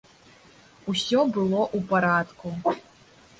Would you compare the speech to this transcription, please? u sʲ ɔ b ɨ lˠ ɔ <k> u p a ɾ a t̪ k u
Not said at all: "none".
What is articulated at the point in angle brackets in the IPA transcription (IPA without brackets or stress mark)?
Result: ʔ